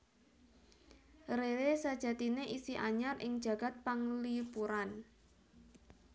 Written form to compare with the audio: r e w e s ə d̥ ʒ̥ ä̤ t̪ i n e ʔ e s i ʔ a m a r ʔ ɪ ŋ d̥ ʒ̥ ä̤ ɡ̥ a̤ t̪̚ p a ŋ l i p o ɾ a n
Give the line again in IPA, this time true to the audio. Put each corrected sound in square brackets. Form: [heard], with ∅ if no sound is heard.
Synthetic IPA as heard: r e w e s [a] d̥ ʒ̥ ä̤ t̪ i n e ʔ [i] s i ʔ a [ɲ] a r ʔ ɪ ŋ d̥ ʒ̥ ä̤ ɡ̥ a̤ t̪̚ p a ŋ l i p [u] ɾ a n